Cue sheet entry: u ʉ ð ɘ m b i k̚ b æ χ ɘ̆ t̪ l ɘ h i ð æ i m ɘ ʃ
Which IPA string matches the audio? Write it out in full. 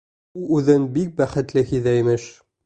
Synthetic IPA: u ʉ ð ɘ n b i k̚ b æ χ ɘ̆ t̪ l ɘ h i ð æ i m ɘ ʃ